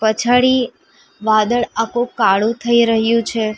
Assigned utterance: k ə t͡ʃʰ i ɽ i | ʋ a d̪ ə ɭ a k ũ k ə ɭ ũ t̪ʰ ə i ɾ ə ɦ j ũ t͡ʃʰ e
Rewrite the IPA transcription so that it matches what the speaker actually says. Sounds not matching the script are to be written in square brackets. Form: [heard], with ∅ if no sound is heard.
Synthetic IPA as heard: [p] ə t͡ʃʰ [a] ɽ i | ʋ a d̪ ə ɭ a k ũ k [a] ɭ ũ t̪ʰ ə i ɾ ə ɦ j ũ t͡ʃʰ e